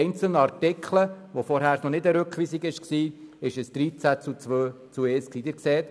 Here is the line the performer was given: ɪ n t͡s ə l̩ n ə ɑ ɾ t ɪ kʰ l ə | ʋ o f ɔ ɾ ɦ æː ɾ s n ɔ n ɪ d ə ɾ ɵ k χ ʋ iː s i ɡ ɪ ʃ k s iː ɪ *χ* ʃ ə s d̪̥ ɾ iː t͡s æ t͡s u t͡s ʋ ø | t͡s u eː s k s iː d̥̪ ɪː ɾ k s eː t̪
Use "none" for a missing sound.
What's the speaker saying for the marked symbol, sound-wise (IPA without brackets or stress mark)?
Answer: none